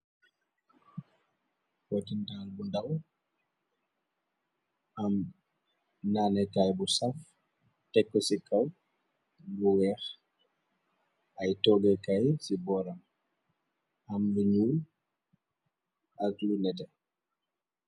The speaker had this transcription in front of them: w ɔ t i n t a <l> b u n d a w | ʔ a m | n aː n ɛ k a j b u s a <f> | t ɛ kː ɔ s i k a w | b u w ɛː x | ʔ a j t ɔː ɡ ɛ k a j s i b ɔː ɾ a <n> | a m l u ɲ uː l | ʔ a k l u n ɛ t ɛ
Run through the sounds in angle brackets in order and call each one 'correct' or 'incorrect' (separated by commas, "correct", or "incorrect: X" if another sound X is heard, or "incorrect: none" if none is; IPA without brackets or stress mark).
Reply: correct, correct, incorrect: m